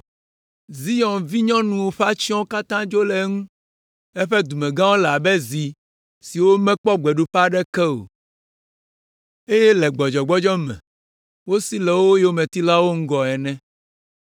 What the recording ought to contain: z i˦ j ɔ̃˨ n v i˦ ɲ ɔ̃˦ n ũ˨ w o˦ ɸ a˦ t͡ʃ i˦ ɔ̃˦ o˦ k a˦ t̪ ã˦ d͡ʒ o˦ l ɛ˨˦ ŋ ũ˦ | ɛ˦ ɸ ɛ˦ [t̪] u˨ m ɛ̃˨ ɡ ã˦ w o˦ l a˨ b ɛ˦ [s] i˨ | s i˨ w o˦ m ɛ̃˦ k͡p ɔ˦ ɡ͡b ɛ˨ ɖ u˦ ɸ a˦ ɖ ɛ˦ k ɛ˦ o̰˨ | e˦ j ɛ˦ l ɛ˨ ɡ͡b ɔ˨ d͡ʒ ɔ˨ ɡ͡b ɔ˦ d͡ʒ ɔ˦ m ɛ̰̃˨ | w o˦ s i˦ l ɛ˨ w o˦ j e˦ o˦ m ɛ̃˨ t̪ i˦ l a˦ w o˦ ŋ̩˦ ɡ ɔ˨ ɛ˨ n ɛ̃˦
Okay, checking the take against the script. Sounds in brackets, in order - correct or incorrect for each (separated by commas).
incorrect, incorrect